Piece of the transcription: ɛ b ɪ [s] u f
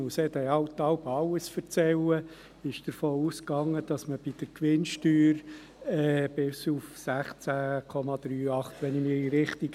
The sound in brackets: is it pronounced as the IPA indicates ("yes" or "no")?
yes